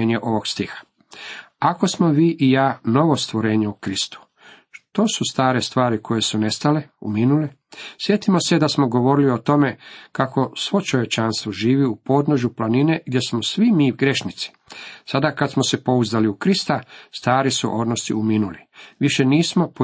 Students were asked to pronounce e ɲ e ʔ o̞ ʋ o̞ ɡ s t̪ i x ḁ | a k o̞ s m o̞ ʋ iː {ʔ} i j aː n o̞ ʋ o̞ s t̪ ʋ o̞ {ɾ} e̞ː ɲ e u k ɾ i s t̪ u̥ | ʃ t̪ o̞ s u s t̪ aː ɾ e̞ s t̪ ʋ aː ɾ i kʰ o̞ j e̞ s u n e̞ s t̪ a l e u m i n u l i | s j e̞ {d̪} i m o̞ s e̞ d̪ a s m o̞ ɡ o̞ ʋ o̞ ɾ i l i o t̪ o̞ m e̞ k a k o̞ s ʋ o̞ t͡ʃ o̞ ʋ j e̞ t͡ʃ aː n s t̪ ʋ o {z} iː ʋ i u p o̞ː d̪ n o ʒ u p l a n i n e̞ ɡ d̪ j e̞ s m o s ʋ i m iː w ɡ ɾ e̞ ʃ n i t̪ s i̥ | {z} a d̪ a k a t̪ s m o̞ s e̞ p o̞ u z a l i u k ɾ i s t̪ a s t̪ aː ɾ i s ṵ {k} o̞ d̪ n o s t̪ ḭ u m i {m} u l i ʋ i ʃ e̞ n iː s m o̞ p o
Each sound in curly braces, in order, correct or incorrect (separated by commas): correct, correct, incorrect, incorrect, incorrect, incorrect, incorrect